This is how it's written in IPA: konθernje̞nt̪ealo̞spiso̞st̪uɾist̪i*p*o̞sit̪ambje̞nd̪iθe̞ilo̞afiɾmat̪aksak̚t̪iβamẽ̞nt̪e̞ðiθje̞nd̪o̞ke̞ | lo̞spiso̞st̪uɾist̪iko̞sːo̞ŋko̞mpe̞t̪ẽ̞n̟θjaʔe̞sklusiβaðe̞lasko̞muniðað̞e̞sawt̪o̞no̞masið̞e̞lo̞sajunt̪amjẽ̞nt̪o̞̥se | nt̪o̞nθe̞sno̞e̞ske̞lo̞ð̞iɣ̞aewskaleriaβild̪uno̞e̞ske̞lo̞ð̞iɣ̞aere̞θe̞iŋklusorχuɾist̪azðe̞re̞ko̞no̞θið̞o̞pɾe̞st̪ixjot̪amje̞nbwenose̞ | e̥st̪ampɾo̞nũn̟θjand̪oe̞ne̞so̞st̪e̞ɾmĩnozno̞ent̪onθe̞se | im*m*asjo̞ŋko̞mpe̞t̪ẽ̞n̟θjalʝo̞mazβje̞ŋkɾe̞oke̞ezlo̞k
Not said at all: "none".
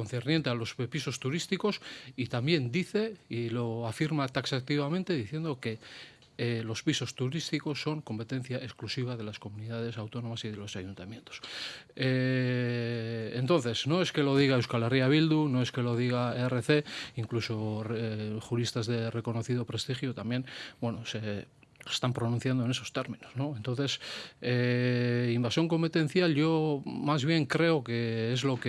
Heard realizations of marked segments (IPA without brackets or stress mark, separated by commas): k, b